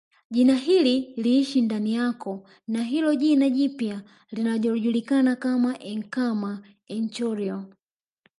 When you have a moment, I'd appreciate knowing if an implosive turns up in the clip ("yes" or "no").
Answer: yes